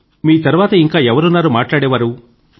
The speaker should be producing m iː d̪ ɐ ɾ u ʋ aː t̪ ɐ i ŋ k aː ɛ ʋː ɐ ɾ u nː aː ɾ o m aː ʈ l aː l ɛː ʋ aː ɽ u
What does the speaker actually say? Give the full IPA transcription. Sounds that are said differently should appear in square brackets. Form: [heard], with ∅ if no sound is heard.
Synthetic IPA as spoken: m iː [t̪] ɐ ɾ u ʋ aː t̪ ɐ i ŋ k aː ɛ [ʋ] ɐ ɾ u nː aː ɾ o m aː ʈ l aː [ɽ] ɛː ʋ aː [ɾ] u